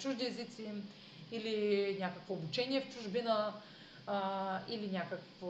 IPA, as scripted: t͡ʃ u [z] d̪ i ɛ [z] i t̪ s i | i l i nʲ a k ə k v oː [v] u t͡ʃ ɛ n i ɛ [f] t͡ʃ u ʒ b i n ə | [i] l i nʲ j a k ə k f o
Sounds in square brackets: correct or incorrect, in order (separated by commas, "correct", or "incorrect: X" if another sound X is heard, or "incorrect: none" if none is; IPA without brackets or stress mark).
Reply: incorrect: ʒ, correct, incorrect: b, correct, correct